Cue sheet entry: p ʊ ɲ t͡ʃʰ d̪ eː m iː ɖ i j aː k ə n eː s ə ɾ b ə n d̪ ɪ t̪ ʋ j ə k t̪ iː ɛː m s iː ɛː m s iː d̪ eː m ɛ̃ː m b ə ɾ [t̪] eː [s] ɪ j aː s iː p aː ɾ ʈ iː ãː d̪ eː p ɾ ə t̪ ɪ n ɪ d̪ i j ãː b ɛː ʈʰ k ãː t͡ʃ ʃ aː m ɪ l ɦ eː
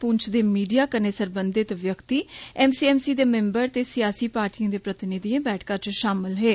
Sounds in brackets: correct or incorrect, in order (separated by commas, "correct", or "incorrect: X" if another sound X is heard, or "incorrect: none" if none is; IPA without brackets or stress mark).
correct, correct